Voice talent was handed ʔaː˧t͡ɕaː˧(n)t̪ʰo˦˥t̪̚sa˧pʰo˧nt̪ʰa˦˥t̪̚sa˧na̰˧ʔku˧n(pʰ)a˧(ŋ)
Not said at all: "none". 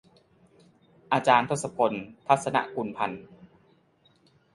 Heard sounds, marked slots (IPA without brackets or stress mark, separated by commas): n, pʰ, n